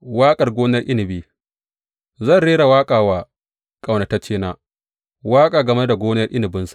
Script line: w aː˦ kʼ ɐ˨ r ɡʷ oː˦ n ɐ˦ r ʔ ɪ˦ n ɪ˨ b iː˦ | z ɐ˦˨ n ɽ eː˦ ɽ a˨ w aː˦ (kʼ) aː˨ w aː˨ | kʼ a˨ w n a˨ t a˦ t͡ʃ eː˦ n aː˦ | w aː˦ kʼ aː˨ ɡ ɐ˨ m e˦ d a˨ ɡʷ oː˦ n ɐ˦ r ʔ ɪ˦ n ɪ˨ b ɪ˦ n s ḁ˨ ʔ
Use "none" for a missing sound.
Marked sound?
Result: kʼ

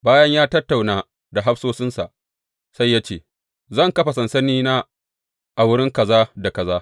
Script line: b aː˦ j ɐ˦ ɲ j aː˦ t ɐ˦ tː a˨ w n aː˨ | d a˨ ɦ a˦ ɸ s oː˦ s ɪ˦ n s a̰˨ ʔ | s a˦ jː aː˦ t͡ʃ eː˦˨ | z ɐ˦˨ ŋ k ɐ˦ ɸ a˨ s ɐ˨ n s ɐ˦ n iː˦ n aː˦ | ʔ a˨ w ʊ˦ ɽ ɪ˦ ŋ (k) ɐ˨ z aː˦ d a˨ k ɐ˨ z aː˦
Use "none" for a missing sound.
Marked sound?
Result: k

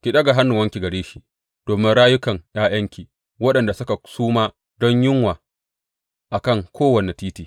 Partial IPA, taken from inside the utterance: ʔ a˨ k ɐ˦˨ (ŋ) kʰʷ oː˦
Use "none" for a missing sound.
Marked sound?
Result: ŋ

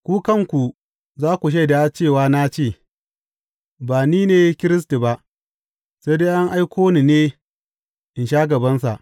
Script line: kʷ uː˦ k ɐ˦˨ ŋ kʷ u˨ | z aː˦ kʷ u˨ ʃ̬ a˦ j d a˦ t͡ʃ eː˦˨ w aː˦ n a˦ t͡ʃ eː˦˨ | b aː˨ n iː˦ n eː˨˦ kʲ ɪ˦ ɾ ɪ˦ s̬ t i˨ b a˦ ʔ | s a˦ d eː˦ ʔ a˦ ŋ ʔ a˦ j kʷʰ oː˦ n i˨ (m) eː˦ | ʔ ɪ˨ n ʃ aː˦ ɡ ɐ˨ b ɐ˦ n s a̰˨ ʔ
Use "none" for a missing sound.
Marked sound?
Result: n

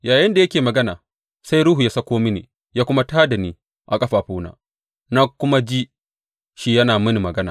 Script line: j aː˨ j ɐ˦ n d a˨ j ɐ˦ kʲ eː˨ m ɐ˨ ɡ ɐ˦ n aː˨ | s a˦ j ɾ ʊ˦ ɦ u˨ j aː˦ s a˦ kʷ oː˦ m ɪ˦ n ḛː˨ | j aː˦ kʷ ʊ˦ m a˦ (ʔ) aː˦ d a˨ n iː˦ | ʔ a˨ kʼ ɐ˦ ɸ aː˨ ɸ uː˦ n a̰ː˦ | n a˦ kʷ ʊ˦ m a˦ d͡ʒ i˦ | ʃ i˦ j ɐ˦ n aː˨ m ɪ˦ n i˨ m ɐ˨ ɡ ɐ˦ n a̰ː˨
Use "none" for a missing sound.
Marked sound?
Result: t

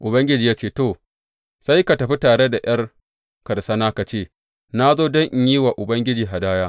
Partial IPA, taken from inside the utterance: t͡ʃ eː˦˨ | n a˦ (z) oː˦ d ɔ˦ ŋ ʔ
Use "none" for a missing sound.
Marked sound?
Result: z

